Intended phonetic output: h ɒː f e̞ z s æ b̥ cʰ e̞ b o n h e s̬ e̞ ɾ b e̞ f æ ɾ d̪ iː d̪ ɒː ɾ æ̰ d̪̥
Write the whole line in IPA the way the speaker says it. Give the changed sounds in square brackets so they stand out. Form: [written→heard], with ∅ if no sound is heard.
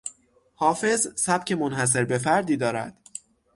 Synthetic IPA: h ɒː f e̞ z s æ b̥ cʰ e̞ [b→m] o n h [e→æ] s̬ e̞ ɾ b e̞ f æ ɾ d̪ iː d̪ ɒː ɾ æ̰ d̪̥